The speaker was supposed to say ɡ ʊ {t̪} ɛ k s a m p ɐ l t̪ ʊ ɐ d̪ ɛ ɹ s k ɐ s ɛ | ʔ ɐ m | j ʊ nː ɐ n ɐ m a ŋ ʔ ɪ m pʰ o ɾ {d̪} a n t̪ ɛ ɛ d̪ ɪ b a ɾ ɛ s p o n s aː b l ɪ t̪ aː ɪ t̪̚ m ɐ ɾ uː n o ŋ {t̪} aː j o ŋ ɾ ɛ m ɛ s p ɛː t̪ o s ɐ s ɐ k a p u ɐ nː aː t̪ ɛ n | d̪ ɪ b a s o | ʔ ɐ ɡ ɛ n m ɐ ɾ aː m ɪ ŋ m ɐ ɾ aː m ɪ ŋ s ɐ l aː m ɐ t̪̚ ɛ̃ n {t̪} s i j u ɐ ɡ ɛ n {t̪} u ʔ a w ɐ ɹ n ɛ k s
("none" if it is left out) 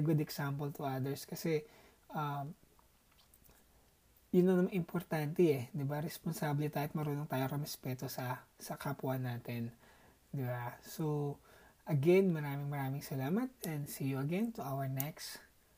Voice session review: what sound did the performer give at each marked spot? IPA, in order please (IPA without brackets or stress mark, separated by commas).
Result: d̪, t̪, t̪, d̪, t̪